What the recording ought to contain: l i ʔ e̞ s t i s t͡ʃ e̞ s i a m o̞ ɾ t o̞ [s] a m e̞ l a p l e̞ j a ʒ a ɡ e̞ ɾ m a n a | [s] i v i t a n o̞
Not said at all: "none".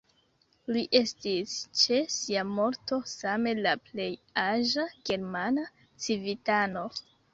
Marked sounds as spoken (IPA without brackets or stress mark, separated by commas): s, t͡s